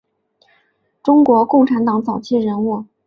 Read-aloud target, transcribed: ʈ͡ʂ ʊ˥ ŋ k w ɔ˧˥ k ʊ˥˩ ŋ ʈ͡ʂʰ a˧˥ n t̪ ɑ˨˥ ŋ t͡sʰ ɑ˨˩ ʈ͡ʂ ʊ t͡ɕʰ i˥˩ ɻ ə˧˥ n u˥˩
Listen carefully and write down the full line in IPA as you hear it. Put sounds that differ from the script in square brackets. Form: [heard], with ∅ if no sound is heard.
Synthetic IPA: ʈ͡ʂ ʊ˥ ŋ k w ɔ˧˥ k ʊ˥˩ ŋ ʈ͡ʂʰ a˧˥ n t̪ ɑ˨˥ ŋ [t͡s] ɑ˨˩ [∅] ʊ t͡ɕʰ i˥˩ ɻ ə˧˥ n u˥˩